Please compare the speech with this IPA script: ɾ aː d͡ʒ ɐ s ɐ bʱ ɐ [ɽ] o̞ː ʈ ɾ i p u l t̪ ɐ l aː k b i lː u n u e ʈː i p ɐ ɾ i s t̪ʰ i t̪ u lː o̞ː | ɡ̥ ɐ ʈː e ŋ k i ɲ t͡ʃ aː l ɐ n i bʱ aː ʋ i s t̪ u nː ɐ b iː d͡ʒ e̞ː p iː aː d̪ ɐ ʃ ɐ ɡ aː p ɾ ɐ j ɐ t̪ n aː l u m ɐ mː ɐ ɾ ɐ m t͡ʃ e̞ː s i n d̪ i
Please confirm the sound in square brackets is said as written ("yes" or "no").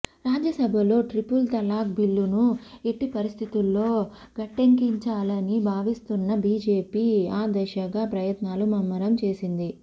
no